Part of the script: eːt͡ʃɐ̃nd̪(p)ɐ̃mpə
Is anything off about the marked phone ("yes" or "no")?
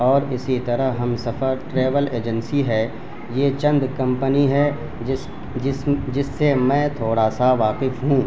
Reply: yes